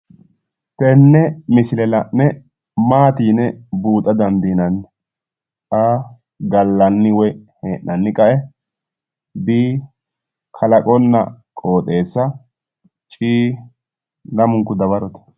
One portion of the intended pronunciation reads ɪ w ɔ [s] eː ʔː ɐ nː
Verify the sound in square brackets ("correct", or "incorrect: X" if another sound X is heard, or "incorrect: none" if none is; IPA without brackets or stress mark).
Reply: incorrect: h